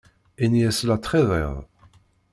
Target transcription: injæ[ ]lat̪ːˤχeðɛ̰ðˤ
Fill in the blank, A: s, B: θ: A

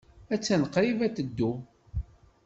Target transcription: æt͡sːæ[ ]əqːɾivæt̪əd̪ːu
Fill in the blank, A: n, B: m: A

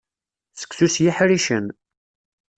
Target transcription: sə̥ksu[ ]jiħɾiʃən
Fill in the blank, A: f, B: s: B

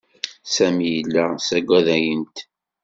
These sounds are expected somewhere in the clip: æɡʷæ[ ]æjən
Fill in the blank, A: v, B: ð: B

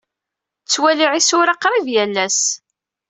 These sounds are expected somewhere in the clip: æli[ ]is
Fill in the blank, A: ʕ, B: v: A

